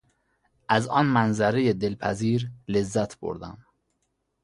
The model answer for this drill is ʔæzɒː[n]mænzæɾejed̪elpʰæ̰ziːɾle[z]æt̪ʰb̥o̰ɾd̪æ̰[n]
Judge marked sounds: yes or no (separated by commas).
yes, no, no